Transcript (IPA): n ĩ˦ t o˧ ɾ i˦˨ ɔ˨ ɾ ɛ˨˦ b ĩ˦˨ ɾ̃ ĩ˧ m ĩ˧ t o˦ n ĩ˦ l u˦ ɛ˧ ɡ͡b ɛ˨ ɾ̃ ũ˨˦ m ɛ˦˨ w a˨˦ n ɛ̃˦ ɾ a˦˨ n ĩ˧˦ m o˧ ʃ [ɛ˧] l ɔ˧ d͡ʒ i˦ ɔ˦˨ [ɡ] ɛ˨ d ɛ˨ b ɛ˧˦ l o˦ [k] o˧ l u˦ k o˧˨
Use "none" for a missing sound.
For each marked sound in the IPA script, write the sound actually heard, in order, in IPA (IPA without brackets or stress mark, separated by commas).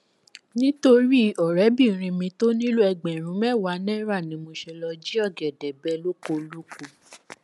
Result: ɛ˧, ɡ, k